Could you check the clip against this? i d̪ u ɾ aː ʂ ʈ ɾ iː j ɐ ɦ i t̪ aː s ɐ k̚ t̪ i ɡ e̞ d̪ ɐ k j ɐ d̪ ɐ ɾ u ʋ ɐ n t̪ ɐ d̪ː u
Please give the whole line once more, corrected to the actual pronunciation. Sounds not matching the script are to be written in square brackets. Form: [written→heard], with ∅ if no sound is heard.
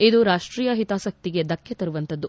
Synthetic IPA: i d̪ u ɾ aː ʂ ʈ ɾ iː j ɐ ɦ i t̪ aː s ɐ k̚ t̪ i ɡ e̞ d̪ ɐ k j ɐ [d̪→t̪] ɐ ɾ u ʋ ɐ n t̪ ɐ d̪ː u